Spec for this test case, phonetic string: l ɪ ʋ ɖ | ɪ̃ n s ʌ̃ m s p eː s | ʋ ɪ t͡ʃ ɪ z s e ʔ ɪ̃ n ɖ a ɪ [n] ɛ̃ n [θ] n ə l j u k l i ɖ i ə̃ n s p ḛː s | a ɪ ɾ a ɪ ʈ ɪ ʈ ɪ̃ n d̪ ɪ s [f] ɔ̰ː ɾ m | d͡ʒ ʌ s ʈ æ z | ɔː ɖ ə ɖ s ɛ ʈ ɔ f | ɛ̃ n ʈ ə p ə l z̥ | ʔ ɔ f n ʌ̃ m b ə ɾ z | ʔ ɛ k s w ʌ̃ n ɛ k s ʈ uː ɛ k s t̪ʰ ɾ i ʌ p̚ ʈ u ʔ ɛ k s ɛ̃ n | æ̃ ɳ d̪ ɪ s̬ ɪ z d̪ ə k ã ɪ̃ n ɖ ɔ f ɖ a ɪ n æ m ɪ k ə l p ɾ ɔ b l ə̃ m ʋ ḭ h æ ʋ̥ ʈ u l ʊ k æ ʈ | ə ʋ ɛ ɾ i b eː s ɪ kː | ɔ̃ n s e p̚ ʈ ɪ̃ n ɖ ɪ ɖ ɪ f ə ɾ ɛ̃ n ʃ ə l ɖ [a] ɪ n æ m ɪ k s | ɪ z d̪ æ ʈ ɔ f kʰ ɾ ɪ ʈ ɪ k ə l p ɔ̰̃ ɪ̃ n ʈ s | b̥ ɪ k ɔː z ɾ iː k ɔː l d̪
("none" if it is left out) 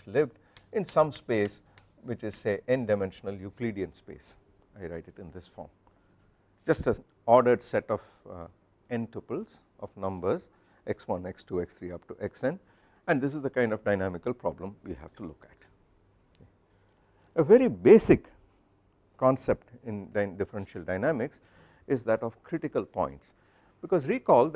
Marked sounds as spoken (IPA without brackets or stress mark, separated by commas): m, ʃ, f, a